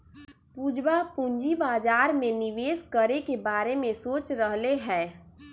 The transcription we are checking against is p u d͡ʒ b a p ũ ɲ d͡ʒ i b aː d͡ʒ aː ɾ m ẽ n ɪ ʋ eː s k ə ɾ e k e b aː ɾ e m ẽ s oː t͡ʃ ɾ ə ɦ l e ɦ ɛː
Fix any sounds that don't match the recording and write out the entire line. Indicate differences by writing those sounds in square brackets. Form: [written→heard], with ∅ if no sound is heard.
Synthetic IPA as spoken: p u d͡ʒ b a p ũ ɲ d͡ʒ i b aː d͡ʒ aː ɾ m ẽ n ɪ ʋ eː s k ə ɾ e k e b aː ɾ e m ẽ s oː t͡ʃ ɾ ə ɦ l e ɦ ɛː